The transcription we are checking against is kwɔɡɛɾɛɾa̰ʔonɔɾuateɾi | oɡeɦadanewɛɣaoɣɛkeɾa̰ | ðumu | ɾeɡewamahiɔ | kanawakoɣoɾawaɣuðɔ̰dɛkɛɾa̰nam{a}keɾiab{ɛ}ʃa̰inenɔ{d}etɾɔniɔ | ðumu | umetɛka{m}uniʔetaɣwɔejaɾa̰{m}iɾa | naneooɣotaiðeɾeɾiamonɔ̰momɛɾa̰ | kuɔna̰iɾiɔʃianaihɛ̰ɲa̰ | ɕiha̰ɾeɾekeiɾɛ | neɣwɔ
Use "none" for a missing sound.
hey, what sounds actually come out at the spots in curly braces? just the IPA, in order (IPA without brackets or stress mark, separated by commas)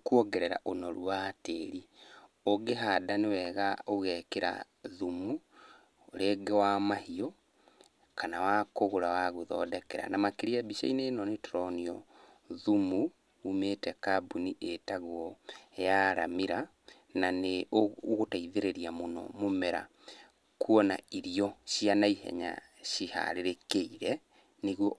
a, i, n, b, m